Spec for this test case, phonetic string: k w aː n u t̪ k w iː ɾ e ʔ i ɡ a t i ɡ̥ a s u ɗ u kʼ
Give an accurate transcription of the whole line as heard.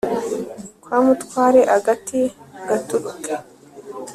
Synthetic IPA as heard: k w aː m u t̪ k w aː ɾ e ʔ a ɡ a t i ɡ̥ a t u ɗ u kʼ